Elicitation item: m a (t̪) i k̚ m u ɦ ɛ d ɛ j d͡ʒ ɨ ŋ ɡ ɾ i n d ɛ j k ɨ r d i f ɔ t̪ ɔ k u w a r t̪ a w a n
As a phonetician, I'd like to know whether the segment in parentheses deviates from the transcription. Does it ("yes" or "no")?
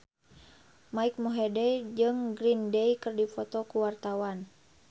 yes